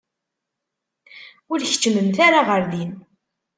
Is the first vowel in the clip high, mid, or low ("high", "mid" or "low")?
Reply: high